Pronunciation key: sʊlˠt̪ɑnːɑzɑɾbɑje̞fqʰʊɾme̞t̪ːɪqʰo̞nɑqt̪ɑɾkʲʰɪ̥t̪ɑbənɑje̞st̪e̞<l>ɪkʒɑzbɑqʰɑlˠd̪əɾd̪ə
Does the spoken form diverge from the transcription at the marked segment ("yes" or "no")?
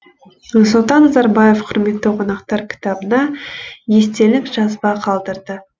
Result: no